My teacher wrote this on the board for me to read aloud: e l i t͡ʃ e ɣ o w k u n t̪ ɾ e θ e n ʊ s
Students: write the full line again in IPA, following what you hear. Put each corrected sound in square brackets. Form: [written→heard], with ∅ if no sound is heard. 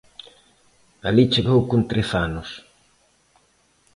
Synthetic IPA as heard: [e→a] l i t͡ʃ e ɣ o w k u n t̪ ɾ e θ [e→a] n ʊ s